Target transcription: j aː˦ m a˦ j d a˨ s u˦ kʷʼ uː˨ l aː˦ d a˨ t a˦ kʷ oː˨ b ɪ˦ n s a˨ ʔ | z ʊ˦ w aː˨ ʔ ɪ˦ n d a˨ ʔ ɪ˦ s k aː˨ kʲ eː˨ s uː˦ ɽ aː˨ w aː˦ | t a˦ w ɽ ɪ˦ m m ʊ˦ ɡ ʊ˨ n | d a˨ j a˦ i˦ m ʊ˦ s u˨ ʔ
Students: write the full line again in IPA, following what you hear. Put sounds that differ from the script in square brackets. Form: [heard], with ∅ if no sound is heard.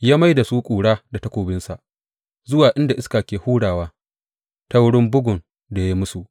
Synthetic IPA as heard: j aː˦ m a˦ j d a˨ s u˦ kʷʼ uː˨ [ɽ] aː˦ d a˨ t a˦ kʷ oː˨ b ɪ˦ n s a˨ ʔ | z ʊ˦ w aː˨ ʔ ɪ˦ n d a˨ ʔ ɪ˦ s k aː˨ kʲ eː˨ [h] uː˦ ɽ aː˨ w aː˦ | t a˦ w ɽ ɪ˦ m [b] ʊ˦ ɡ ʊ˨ n | d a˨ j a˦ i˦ m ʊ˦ s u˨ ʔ